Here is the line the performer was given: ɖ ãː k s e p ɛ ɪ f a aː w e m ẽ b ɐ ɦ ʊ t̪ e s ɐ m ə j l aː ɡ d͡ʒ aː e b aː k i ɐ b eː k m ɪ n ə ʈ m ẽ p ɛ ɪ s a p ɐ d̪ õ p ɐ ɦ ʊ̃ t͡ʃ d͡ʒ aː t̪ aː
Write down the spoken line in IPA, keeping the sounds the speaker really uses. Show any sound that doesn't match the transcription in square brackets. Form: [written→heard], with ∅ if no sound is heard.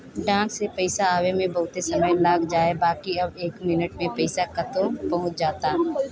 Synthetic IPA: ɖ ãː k s e p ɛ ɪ [f→s] a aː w e m ẽ b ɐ ɦ ʊ t̪ e s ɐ m ə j l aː ɡ d͡ʒ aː e b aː k i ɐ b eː k m ɪ n ə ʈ m ẽ p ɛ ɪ s a [p→k] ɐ [d̪→t̪] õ p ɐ ɦ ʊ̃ t͡ʃ d͡ʒ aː t̪ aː